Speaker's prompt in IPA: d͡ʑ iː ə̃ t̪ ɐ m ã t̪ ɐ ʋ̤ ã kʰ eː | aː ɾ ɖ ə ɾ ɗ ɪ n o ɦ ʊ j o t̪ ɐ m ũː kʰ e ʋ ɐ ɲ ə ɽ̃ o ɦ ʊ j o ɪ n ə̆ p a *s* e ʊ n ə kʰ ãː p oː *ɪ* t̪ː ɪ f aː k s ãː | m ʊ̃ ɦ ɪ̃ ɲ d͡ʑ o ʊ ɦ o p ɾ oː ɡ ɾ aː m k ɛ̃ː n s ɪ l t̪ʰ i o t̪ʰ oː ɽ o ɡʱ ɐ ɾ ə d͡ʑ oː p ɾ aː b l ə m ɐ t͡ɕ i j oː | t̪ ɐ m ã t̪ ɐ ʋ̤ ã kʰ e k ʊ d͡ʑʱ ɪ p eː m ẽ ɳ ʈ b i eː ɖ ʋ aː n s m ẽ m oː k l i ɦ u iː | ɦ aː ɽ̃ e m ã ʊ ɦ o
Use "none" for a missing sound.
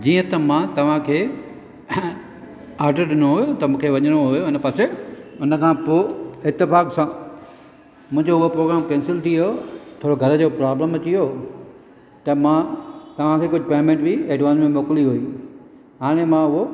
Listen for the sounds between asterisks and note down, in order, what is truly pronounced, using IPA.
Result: s, ɪ

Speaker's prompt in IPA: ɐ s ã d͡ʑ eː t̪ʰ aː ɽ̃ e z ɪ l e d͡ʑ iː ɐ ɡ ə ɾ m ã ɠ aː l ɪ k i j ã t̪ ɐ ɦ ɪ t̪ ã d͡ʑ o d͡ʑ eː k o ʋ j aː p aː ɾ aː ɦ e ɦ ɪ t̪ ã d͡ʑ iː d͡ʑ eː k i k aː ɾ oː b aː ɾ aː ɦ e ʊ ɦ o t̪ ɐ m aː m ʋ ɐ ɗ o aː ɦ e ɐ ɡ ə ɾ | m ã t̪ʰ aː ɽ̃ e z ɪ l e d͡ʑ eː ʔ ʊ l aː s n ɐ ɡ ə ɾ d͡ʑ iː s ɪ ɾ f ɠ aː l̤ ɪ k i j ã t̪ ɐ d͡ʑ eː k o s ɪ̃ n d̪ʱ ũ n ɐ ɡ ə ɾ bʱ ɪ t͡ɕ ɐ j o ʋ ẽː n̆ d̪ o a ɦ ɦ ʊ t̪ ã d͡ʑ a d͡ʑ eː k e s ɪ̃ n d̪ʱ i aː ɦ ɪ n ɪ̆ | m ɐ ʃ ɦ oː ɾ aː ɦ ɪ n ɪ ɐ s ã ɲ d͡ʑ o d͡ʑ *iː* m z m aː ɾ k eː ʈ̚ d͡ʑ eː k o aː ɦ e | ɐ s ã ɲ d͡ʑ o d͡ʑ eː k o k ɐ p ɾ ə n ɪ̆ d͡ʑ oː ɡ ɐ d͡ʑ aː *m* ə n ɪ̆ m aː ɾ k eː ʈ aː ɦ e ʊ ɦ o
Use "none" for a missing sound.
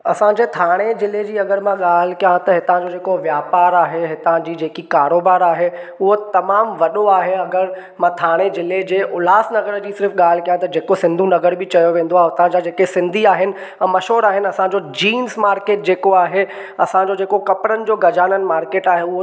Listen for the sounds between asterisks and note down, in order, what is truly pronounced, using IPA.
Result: iː, n

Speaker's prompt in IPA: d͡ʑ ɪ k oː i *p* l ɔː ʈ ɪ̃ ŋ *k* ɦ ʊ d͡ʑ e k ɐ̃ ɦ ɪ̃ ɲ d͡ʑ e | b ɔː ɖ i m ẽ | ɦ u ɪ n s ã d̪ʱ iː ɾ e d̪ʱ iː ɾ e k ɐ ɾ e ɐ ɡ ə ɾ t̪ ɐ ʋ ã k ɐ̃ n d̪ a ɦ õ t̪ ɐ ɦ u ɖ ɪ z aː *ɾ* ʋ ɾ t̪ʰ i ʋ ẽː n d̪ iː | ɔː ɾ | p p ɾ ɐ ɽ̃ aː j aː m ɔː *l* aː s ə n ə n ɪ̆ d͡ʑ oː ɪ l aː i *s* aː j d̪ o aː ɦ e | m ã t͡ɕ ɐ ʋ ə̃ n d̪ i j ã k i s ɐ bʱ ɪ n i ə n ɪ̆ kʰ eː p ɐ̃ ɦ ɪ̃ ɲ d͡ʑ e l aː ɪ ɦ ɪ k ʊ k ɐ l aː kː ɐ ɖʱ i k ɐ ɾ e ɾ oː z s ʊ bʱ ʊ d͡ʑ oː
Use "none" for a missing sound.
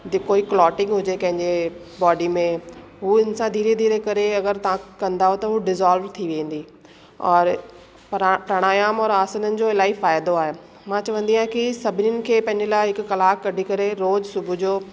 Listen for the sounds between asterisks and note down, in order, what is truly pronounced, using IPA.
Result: k, ɡ, l, ɾ, f

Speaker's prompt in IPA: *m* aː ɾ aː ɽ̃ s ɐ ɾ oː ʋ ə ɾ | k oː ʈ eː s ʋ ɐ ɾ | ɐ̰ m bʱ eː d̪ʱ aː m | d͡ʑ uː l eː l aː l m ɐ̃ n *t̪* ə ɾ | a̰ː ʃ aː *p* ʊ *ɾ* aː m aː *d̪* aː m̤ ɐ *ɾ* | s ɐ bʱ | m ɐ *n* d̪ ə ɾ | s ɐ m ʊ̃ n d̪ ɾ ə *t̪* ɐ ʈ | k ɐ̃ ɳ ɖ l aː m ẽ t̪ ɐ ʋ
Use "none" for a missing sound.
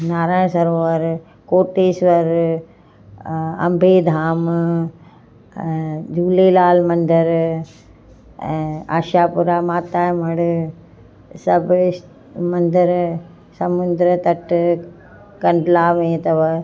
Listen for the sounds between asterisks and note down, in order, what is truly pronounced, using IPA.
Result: n, d̪, p, ɾ, t̪, ɽ, n, t̪

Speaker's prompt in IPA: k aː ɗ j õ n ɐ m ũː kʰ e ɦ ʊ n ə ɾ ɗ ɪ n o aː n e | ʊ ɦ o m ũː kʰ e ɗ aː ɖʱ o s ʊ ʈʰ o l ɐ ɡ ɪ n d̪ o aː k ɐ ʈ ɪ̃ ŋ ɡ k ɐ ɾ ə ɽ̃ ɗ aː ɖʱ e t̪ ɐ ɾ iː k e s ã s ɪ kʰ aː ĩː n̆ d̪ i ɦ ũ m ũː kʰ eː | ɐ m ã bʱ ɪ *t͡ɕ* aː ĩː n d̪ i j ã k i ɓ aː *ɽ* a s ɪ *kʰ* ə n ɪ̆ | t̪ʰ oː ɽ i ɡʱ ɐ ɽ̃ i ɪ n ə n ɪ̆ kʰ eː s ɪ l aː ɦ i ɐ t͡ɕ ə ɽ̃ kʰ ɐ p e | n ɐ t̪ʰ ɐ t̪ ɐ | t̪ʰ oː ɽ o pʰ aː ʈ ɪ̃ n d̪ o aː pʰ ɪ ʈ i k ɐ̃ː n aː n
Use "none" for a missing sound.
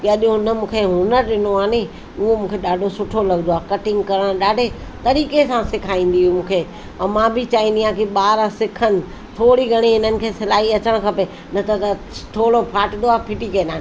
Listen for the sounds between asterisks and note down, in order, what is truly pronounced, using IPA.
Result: t͡ɕ, ɾ, kʰ

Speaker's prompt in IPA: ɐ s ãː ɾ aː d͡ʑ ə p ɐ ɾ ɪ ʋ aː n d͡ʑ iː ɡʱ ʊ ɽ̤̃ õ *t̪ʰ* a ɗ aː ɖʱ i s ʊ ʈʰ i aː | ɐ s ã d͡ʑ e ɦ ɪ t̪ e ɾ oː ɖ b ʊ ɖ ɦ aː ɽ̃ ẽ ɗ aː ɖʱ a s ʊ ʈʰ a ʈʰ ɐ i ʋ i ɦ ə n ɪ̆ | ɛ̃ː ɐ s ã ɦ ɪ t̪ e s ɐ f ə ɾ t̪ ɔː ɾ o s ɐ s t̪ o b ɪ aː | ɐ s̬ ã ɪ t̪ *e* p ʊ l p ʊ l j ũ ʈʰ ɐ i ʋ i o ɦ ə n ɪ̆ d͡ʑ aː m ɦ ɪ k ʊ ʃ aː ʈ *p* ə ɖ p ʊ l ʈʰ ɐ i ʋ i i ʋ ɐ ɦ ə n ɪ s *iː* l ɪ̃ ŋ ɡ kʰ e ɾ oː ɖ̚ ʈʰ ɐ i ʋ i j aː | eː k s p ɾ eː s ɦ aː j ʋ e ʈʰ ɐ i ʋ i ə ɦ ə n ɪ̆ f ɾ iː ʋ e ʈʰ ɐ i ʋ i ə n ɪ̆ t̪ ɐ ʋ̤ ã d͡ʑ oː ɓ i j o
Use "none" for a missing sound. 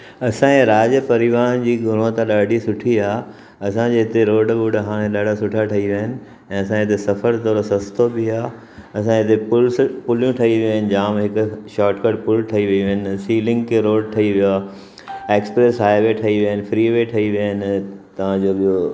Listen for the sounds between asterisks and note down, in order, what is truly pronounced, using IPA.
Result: t̪, e, k, iː

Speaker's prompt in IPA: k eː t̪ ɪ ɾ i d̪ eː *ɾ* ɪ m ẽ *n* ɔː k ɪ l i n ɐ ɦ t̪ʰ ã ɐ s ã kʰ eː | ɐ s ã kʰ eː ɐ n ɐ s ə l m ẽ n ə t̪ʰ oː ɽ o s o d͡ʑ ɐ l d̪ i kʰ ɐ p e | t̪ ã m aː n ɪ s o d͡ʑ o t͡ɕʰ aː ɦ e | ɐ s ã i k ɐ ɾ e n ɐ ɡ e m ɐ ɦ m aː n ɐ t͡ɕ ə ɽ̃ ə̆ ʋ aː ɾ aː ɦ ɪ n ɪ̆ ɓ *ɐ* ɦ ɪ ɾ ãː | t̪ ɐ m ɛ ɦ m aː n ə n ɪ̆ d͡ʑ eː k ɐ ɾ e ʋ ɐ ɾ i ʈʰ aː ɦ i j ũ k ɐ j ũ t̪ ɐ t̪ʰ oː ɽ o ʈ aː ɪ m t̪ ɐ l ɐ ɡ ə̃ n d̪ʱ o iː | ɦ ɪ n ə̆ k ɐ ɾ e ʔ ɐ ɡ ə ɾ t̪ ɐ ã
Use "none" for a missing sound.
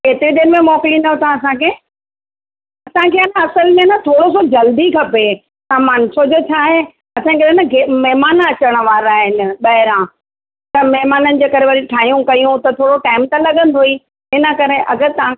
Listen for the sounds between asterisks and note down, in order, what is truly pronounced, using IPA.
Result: ɾ, m, ɐ

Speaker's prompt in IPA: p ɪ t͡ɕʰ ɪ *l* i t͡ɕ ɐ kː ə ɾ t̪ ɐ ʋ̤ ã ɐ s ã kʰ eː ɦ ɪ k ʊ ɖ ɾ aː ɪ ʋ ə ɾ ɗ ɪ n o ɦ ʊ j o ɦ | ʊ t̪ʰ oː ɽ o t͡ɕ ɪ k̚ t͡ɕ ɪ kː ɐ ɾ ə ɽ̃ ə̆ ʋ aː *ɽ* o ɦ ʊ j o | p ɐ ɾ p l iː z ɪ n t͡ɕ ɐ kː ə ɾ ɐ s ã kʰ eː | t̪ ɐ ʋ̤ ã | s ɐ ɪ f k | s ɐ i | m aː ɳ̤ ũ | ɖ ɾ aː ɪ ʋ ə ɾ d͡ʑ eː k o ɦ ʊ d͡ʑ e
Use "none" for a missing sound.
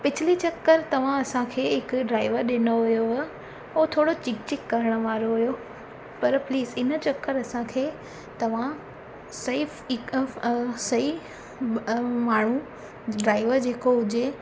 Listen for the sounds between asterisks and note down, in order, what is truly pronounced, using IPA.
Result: l, ɾ

